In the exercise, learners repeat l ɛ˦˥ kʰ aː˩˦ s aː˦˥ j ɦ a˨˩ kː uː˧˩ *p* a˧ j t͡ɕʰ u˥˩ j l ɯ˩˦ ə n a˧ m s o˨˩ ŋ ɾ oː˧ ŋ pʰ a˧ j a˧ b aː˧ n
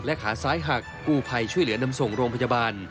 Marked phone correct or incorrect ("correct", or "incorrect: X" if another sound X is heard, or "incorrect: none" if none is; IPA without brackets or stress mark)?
incorrect: pʰ